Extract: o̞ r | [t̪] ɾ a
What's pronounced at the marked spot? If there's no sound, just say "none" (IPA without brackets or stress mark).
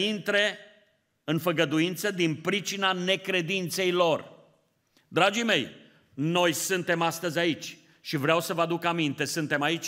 d̪